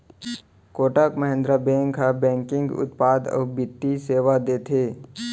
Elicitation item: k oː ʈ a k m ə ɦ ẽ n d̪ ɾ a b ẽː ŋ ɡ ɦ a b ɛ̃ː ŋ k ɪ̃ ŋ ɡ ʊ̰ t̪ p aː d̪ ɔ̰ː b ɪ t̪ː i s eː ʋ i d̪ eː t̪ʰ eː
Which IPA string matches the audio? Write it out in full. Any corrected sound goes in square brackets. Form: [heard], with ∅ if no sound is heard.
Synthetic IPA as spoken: k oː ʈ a k m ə ɦ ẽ n d̪ ɾ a b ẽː ŋ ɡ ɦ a b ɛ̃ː ŋ k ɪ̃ ŋ ɡ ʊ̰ t̪ p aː d̪ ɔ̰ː b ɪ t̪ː i s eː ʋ [a] d̪ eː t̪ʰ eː

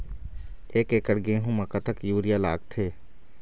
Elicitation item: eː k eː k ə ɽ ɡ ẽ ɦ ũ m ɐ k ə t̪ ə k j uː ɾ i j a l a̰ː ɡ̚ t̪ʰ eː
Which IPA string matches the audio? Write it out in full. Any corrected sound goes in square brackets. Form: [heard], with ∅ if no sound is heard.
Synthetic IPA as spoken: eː k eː k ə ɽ ɡ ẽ ɦ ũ m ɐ k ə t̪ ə k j uː ɾ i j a l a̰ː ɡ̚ t̪ʰ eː

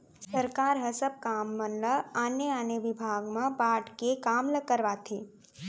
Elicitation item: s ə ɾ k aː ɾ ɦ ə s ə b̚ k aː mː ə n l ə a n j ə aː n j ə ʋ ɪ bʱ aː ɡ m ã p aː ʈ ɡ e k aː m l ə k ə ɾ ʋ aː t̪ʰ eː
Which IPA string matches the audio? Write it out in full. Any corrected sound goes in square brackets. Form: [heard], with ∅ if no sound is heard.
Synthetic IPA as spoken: s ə ɾ k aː ɾ ɦ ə s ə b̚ k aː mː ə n l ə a n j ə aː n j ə ʋ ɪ bʱ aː ɡ m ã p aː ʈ [k] e k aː m l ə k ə ɾ ʋ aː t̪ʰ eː

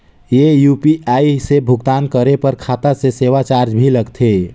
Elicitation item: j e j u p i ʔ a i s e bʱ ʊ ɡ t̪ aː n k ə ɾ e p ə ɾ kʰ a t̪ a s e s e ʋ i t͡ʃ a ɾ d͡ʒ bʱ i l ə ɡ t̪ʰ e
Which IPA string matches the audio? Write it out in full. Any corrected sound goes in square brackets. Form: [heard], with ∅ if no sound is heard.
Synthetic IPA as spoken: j e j u p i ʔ a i s e bʱ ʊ ɡ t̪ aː n k ə ɾ e p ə ɾ kʰ a t̪ a s e s e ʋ [a] t͡ʃ a ɾ d͡ʒ bʱ i l ə ɡ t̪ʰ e

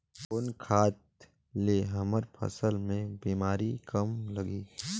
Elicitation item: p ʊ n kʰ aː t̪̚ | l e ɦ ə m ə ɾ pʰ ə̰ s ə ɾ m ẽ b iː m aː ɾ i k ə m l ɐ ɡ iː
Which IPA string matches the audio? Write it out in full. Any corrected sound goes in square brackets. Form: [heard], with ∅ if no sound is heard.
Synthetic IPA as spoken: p ʊ n kʰ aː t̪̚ | l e ɦ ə m ə ɾ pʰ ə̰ s ə [l] m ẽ b iː m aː ɾ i k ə m l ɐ ɡ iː

